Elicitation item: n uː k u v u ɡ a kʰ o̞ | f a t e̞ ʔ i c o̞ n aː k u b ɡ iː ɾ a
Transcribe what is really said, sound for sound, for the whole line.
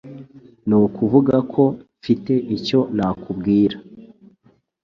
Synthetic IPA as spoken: n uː k u v u ɡ a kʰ o̞ | f i t e̞ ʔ i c o̞ n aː k u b ɡ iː ɾ a